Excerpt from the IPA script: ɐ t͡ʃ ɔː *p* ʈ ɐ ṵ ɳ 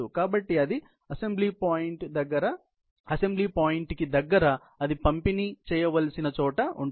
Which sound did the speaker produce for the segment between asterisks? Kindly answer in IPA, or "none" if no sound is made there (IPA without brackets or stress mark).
none